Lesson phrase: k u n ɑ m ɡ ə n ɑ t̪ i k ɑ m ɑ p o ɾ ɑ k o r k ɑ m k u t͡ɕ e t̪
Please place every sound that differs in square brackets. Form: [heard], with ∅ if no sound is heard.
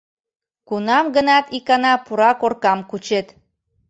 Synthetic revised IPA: k u n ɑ m ɡ ə n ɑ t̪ i k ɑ [n] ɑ p [u] ɾ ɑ k o r k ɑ m k u t͡ɕ e t̪